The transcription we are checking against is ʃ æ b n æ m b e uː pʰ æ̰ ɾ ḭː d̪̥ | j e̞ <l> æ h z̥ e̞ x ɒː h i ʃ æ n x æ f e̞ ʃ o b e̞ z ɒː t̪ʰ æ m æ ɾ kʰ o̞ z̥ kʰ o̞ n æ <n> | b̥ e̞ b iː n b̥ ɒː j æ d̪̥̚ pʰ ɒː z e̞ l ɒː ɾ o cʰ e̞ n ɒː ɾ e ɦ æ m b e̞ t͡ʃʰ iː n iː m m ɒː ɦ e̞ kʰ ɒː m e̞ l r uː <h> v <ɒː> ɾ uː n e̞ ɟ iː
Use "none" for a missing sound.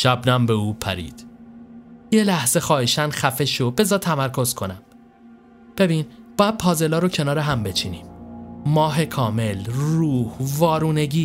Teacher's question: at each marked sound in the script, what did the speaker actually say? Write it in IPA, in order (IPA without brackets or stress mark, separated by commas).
l, m, h, ɒː